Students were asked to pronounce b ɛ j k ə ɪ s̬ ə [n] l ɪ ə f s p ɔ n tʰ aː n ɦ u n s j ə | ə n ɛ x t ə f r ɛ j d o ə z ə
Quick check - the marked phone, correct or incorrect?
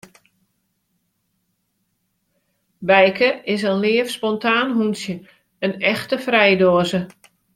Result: correct